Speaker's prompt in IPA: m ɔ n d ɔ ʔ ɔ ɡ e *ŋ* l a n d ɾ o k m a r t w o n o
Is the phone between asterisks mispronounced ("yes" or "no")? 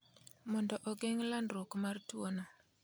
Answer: no